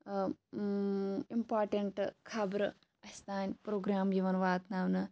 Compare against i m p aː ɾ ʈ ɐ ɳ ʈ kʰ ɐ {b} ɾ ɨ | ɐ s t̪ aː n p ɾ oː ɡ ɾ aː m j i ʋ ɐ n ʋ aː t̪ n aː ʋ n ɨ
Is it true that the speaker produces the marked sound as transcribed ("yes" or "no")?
yes